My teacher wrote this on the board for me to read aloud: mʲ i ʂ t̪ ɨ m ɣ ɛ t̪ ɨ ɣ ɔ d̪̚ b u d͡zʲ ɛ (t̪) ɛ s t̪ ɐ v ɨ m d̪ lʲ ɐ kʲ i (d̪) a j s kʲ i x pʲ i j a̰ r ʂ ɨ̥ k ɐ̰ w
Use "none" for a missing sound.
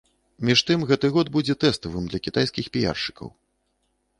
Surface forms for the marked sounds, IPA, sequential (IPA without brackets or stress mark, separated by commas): t̪, t̪